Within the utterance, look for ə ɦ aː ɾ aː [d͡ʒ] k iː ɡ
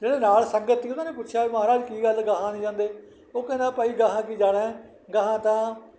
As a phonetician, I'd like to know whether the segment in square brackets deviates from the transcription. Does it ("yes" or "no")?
no